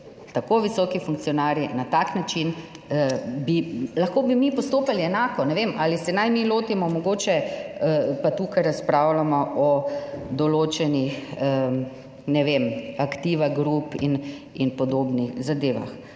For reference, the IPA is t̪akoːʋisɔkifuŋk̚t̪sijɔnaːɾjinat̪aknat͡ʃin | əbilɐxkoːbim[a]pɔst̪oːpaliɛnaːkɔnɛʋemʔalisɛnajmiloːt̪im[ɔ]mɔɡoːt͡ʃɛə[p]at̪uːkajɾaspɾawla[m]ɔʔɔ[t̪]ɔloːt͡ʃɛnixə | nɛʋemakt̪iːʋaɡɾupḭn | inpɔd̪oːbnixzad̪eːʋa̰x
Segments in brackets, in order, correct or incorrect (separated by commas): incorrect, correct, correct, correct, incorrect